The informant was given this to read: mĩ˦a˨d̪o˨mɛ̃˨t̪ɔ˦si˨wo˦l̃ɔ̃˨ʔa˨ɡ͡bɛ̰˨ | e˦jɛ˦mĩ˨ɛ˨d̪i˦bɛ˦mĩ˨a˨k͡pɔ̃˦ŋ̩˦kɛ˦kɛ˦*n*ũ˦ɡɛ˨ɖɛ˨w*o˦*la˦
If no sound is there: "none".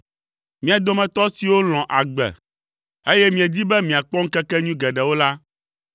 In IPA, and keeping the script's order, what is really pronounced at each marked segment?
ɲ, o˦

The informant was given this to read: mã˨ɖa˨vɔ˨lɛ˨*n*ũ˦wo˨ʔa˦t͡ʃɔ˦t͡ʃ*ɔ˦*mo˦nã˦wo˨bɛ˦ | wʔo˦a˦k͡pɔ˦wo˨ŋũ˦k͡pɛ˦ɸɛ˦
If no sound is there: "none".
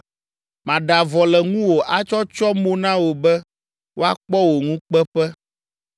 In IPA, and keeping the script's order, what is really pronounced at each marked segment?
ŋ, ɔ˦

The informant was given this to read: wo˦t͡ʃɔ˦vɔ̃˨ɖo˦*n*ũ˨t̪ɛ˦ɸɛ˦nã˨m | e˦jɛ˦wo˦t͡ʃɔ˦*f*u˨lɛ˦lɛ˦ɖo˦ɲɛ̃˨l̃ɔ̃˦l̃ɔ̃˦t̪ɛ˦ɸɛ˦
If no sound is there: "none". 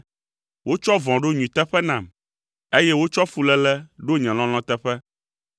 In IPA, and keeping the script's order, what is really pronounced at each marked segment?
ɲ, f

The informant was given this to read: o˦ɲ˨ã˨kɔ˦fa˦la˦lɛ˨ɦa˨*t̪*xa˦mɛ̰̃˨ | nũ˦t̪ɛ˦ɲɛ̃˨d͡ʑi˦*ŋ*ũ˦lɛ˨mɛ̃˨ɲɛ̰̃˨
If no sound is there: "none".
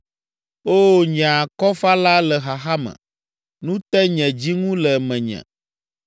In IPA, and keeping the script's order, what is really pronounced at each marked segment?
none, ŋ

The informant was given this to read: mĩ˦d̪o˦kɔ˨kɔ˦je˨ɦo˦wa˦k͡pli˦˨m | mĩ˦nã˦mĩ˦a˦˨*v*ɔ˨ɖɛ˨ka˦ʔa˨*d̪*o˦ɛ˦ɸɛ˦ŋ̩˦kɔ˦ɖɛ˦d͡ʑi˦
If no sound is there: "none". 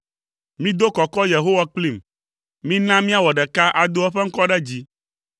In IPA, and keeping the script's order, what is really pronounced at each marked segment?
w, d̪

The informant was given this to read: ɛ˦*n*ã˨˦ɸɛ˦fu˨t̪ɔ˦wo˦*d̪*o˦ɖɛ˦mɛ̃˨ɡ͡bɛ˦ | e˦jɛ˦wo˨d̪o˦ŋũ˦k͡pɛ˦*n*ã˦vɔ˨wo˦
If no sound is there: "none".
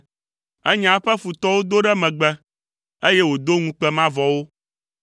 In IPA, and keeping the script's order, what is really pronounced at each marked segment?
ɲ, d̪, m

